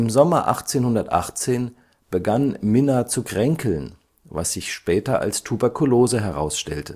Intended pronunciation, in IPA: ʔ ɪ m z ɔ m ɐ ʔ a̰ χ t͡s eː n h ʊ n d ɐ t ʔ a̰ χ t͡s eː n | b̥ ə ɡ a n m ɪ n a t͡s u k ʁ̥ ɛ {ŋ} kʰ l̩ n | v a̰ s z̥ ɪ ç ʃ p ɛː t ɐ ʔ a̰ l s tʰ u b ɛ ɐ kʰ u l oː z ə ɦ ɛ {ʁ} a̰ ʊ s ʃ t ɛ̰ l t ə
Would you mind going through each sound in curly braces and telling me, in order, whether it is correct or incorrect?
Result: correct, correct

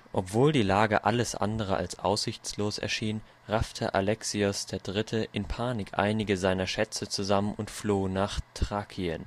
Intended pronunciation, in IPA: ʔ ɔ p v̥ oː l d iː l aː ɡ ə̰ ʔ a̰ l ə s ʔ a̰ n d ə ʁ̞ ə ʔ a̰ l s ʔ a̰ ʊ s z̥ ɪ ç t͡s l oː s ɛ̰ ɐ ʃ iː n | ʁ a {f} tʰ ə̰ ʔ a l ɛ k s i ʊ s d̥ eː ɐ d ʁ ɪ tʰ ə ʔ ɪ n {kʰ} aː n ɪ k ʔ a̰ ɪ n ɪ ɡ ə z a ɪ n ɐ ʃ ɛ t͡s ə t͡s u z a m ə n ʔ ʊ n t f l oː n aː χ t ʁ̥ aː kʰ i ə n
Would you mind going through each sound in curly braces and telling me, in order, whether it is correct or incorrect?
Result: correct, incorrect: pʰ

